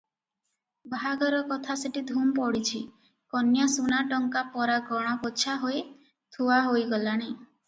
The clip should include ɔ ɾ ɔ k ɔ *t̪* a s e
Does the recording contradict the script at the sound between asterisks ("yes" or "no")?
yes